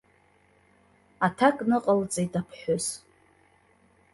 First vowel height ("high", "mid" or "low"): low